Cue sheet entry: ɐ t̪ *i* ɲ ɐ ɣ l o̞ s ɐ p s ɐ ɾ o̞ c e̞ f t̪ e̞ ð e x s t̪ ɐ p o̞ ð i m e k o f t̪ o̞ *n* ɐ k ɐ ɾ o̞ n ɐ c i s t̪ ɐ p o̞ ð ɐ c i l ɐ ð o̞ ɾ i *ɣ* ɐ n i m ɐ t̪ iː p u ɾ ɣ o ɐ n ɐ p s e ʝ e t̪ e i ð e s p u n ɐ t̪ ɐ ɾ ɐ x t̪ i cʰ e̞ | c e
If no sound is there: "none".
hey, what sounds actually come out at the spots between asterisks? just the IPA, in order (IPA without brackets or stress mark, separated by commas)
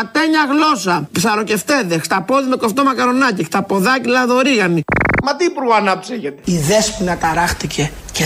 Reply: e, m, ɣ